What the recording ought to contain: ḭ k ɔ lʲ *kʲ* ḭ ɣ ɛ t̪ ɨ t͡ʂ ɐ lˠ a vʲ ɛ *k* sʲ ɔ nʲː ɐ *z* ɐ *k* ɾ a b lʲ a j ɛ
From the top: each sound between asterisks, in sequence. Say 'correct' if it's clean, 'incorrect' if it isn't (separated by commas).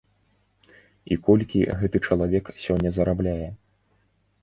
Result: correct, correct, correct, incorrect